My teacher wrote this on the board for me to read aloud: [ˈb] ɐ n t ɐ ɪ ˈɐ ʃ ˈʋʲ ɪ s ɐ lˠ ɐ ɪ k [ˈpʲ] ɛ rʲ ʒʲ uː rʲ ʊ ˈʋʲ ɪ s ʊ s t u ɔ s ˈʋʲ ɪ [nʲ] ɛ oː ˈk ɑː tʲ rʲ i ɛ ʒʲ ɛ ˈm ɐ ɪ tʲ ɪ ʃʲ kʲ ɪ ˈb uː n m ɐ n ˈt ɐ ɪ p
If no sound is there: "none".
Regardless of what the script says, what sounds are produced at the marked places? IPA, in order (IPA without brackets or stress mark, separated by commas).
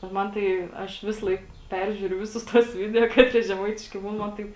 m, pʲ, dʲ